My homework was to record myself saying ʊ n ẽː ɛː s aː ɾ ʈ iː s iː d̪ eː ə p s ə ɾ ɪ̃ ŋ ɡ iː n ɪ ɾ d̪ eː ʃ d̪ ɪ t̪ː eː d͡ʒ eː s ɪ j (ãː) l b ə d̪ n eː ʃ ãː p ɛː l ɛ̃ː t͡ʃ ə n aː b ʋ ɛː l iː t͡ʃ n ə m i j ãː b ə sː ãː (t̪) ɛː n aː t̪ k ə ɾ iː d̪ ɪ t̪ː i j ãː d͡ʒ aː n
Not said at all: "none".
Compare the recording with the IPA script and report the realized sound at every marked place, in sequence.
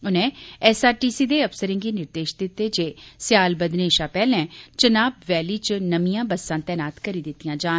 aː, t̪

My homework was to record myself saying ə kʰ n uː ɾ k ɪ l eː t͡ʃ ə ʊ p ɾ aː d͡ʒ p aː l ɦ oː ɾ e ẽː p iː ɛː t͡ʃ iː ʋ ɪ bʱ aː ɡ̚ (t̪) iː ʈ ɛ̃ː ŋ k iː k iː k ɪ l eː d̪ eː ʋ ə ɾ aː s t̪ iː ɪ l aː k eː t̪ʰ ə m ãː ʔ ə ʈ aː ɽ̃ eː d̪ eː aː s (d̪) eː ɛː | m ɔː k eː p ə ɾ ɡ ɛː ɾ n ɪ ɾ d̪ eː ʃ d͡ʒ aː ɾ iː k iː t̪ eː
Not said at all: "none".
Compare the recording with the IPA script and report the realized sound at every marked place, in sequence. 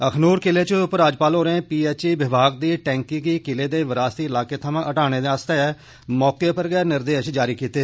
d̪, t̪

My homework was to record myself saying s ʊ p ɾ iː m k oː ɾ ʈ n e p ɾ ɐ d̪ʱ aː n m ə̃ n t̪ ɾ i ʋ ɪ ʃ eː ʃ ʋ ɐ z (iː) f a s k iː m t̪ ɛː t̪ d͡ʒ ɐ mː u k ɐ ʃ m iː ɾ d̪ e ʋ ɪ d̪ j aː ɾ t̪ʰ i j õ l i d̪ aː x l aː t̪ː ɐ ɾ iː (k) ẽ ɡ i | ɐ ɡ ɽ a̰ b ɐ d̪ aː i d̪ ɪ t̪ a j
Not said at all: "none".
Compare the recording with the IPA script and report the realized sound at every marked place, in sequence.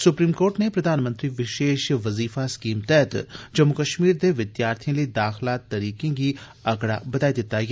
iː, k

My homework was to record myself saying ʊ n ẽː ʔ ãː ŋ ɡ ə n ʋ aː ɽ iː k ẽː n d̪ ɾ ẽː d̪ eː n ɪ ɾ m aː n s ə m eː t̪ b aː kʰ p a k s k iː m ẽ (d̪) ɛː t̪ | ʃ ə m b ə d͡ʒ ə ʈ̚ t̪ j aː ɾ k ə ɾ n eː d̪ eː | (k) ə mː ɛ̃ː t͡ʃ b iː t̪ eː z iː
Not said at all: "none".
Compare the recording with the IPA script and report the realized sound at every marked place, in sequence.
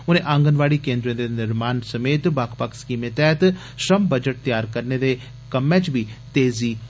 t̪, k

